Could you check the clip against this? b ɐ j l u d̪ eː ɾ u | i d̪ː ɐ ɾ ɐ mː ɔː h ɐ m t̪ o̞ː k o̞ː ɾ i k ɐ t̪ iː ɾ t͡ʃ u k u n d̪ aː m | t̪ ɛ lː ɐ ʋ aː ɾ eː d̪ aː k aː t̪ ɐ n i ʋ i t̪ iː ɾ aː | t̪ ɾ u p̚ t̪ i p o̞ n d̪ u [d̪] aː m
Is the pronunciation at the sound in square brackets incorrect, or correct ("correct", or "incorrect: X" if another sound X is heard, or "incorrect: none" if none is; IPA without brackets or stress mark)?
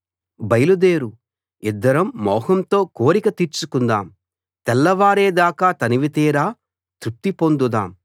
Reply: correct